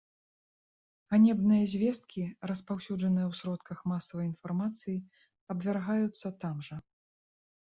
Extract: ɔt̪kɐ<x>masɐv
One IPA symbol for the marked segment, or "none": x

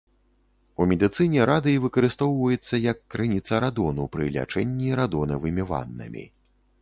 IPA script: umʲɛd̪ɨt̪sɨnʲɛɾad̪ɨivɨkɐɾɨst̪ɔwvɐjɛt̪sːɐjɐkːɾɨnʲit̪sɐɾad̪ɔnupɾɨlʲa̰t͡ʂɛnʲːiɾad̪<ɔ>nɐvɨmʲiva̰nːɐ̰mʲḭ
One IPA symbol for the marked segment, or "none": ɔ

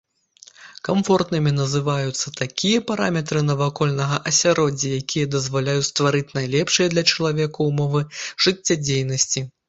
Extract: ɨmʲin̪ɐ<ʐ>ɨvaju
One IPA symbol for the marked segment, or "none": z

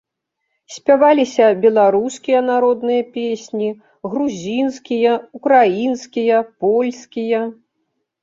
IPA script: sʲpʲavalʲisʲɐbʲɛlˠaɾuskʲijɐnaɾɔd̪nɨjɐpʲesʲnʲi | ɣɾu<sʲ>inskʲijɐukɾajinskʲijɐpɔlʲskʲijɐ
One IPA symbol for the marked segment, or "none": zʲ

